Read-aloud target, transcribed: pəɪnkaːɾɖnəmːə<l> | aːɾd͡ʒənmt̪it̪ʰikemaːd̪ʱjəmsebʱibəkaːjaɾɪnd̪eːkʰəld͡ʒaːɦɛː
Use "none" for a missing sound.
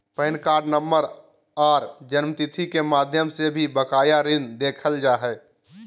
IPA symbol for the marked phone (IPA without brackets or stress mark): ɾ